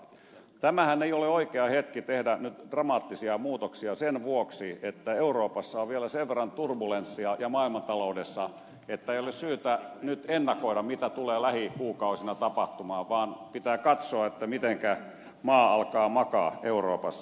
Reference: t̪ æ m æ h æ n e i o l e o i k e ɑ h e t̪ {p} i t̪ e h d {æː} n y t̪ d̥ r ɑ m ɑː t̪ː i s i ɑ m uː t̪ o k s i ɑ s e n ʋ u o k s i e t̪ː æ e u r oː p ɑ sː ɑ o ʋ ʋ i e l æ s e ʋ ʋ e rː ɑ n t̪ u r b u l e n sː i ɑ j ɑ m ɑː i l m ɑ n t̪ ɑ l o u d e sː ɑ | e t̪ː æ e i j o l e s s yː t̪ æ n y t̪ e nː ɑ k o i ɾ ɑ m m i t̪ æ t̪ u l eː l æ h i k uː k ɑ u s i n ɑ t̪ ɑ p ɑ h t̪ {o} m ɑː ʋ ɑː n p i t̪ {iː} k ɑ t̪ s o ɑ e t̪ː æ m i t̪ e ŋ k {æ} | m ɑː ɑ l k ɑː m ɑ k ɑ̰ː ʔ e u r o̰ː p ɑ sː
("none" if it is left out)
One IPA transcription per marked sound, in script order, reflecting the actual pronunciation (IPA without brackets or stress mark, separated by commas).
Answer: k, æ, u, æː, æ